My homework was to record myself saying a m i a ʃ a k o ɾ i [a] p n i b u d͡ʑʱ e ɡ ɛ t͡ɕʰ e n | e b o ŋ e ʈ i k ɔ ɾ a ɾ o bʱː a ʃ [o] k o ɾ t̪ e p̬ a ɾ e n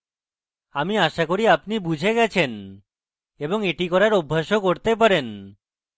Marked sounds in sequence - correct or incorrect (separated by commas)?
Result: correct, correct